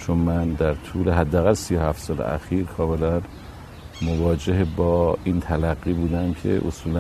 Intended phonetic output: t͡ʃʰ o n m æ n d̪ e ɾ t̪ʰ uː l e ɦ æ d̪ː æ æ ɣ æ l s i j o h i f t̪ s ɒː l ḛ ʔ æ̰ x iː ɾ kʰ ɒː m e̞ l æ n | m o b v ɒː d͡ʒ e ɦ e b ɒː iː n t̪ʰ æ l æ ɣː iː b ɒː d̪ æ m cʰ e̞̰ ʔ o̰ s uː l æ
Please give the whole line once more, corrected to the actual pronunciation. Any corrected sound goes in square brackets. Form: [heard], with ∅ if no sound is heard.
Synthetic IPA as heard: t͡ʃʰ o n m æ n d̪ [æ] ɾ t̪ʰ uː l e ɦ æ d̪ː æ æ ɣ æ l s i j o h [æ] f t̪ s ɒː l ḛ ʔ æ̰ x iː ɾ kʰ ɒː m e̞ l æ n | m o [∅] v ɒː d͡ʒ e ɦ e b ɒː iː n t̪ʰ æ l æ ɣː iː b [uː] d̪ æ m cʰ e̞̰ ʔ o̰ s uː l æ